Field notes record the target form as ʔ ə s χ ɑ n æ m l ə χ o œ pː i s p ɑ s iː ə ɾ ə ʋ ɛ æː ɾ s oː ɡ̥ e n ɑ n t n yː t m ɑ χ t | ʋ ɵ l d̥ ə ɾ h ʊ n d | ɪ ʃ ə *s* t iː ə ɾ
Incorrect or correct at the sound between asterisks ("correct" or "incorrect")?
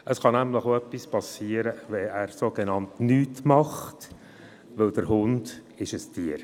correct